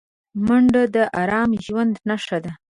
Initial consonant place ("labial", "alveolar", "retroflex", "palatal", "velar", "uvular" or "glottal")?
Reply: labial